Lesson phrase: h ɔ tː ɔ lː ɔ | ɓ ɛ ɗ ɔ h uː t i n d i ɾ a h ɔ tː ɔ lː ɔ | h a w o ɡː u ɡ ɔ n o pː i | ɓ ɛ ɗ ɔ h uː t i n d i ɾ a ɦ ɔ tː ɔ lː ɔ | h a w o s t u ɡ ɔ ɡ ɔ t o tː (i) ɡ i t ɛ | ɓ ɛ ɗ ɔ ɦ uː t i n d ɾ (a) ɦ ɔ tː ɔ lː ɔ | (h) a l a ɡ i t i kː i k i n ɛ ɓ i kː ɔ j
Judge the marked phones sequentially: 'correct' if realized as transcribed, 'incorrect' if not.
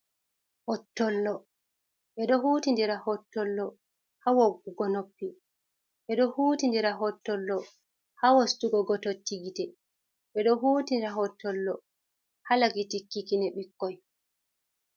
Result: correct, correct, correct

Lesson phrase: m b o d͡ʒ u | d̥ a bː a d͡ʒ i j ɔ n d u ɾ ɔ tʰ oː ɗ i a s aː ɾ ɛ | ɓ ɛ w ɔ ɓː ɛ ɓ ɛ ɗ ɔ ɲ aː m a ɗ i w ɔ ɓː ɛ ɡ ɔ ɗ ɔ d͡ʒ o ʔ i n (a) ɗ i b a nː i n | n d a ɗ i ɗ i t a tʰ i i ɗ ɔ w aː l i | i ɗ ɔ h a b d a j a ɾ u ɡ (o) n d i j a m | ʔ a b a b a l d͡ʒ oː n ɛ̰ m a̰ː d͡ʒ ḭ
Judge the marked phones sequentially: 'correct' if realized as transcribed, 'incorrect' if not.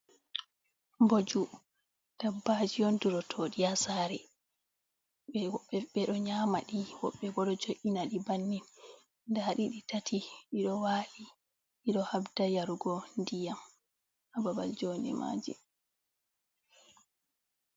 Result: correct, incorrect

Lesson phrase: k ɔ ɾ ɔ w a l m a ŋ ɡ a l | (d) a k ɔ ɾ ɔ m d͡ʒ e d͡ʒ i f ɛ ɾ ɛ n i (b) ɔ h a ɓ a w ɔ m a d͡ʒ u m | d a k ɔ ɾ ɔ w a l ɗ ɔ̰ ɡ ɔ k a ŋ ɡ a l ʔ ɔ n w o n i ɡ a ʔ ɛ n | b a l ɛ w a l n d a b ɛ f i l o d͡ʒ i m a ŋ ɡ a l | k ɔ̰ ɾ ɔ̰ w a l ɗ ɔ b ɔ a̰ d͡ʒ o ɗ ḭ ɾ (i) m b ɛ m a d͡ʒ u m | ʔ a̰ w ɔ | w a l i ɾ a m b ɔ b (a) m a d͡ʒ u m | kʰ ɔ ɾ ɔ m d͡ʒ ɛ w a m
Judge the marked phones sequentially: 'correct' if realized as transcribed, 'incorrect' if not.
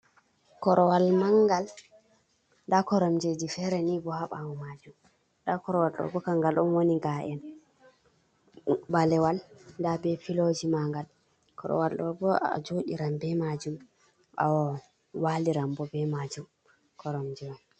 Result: correct, correct, incorrect, incorrect

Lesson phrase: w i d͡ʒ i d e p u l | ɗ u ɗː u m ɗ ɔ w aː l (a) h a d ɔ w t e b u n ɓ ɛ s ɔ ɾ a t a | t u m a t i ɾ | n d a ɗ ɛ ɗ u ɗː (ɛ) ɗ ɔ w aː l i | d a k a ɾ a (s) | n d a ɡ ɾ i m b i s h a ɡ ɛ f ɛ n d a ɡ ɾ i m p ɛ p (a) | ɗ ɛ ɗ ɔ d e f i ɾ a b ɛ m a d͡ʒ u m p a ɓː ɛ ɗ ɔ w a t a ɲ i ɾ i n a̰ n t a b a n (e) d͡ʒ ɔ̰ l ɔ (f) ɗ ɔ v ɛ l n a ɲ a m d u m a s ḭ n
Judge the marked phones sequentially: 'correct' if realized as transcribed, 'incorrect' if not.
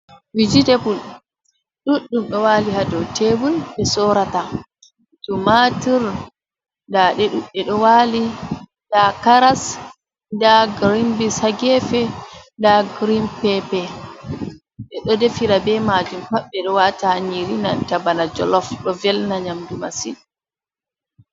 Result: incorrect, correct, correct, incorrect, incorrect, correct

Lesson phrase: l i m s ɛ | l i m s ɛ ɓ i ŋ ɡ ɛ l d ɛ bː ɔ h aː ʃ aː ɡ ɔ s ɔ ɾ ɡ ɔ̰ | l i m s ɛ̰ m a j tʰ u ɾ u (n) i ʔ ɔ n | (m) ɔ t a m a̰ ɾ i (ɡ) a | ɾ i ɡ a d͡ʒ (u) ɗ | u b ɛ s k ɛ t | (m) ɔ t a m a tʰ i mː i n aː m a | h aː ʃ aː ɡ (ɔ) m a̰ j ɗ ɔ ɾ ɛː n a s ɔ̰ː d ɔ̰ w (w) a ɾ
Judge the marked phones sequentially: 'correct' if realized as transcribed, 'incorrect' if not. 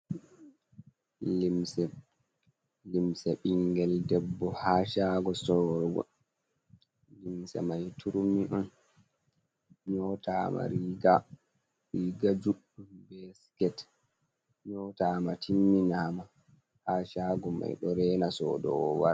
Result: incorrect, incorrect, correct, correct, incorrect, correct, correct

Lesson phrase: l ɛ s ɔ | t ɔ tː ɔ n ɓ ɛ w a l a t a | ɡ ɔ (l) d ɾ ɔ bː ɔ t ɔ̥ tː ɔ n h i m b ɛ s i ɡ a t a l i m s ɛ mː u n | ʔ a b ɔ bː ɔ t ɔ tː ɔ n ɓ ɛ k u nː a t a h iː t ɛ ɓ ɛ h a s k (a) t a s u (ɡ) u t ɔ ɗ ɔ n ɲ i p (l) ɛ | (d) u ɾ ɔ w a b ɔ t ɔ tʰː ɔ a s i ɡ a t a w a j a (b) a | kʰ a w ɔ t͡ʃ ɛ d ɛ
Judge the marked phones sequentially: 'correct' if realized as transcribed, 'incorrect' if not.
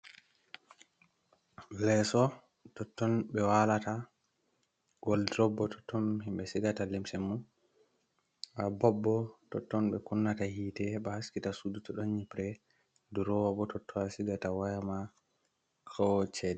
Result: correct, incorrect, incorrect, incorrect, correct, incorrect

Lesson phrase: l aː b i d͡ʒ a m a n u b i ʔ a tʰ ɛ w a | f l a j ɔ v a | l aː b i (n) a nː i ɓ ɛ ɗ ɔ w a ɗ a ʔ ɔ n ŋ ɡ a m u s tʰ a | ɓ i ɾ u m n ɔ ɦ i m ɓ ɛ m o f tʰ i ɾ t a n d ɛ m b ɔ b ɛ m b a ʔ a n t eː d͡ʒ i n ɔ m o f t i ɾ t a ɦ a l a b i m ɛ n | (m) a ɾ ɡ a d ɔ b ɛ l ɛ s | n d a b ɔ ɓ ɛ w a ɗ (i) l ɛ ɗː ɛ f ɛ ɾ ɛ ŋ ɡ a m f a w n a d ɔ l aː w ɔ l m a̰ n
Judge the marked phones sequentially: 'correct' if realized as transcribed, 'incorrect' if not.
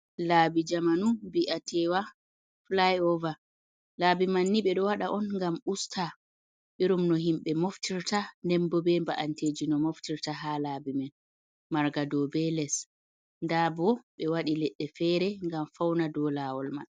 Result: incorrect, correct, correct

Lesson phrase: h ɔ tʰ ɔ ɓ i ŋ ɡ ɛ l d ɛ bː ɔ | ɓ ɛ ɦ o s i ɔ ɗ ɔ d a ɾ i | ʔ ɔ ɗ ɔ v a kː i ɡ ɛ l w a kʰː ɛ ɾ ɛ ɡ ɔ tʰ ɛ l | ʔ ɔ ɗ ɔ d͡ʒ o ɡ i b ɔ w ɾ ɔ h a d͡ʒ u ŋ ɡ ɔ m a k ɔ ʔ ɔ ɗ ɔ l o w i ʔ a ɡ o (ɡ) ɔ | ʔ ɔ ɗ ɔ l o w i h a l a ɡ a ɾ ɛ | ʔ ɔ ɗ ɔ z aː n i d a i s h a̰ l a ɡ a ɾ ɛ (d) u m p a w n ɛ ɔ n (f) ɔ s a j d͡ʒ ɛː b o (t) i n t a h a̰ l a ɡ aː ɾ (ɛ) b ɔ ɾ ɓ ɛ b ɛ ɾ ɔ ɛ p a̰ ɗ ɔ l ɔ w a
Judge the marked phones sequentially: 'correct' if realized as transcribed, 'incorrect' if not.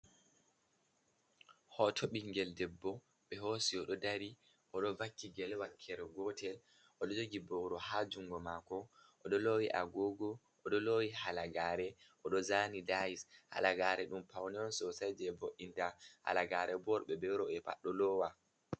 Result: correct, incorrect, incorrect, incorrect, correct

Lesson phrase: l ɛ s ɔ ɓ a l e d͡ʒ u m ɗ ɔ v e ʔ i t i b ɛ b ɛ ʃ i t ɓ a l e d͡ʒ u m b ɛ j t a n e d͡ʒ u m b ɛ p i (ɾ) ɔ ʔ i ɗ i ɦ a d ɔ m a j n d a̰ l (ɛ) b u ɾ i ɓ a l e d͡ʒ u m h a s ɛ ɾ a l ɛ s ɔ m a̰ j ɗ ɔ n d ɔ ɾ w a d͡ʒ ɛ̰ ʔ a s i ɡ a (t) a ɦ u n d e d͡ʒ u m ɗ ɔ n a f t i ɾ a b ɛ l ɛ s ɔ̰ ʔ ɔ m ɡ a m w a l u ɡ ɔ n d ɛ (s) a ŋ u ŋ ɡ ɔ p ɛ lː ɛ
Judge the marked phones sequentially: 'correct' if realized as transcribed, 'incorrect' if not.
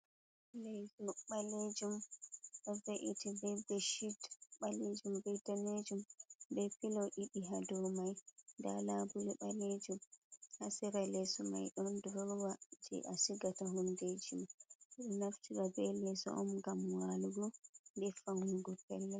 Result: incorrect, incorrect, correct, incorrect

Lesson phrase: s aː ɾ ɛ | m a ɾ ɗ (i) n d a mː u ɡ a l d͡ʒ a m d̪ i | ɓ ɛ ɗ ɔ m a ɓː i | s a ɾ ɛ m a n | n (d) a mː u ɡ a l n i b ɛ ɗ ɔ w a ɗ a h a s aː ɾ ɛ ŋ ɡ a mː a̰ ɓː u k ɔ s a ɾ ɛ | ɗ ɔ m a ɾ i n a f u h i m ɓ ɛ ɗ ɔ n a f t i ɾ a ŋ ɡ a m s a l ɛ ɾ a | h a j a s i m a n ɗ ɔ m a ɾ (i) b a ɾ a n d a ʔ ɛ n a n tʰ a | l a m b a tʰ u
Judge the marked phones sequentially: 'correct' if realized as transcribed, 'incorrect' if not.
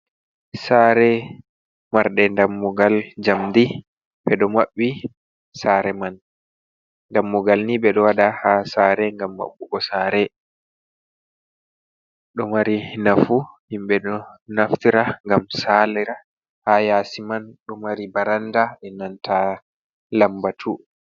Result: incorrect, correct, correct

